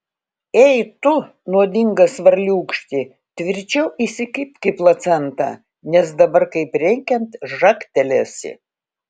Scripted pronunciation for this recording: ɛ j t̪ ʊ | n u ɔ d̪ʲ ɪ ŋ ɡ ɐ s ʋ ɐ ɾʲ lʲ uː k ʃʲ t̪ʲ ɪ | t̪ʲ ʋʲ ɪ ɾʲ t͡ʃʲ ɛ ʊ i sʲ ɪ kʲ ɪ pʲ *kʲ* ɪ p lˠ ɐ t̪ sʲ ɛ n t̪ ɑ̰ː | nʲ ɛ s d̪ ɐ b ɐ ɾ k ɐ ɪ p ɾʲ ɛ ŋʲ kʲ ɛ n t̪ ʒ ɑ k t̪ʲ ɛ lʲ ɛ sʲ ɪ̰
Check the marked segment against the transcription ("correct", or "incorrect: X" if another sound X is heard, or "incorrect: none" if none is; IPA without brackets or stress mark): correct